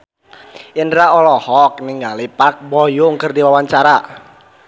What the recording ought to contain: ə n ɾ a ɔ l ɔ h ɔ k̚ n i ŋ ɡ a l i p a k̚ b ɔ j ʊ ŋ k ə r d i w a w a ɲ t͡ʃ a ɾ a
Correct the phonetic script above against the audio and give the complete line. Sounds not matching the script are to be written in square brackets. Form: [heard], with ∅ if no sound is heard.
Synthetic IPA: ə n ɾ a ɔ l ɔ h ɔ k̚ n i ŋ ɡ a l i p a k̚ b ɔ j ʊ ŋ k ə r d i w a w a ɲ t͡ʃ a ɾ a